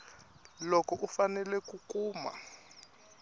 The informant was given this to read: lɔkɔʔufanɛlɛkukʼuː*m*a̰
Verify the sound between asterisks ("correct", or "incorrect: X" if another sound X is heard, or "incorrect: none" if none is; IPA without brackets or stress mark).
correct